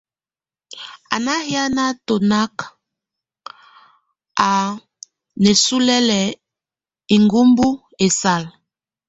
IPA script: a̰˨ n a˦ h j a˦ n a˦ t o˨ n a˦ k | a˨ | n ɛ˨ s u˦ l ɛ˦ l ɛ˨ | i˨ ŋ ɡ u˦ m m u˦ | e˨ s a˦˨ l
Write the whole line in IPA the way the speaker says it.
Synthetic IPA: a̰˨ n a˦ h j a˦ n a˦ t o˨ n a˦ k | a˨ | n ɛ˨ s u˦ l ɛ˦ l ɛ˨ | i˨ ŋ ɡ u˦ m b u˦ | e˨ s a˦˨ l